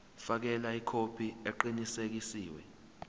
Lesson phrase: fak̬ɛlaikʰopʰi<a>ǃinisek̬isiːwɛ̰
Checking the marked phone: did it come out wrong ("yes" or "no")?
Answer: yes